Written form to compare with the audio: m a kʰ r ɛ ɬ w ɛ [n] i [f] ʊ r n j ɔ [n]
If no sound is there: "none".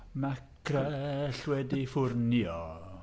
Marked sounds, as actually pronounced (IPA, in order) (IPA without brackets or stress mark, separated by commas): d, f, none